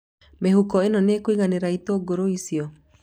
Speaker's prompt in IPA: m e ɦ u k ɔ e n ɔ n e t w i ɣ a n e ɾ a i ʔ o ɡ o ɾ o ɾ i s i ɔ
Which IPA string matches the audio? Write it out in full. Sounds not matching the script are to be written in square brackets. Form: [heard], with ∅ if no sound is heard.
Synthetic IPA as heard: m e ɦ u k ɔ e n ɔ n e [k] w i ɣ a n e ɾ a i [t] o ɡ o ɾ o [∅] i s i ɔ